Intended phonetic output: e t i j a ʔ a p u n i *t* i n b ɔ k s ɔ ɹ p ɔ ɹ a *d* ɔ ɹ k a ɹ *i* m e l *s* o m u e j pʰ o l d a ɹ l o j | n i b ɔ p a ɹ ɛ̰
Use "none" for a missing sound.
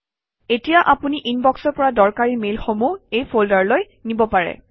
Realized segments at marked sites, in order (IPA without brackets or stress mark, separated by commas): ʔ, d, i, x